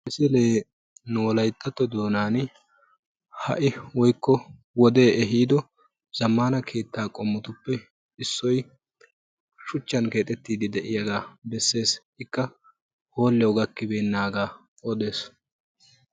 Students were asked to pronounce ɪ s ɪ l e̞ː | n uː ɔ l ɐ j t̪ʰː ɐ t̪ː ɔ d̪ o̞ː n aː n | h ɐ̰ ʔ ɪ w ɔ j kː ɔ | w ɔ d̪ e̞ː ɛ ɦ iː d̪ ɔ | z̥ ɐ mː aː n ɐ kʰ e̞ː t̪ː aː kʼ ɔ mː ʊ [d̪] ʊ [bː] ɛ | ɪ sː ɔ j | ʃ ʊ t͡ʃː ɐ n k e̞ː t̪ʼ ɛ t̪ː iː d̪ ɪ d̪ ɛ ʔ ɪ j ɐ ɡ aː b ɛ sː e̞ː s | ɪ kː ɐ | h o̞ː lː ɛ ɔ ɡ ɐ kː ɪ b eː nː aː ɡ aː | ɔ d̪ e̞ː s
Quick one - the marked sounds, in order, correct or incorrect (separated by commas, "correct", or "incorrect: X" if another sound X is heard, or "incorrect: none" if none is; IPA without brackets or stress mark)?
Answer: incorrect: t̪, incorrect: pː